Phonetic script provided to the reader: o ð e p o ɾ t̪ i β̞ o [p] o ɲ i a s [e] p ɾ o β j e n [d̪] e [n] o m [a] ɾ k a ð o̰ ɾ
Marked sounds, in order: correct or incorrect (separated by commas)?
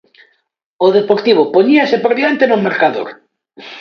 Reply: correct, correct, incorrect, correct, incorrect